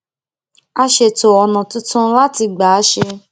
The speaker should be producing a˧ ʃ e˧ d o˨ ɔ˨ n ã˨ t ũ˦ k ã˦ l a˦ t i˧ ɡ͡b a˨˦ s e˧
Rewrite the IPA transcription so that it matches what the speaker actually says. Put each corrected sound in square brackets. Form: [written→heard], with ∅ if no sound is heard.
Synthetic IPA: a˧ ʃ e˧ [d→t] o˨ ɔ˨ n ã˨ t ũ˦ [k→t] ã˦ l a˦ t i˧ ɡ͡b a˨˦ [s→ʃ] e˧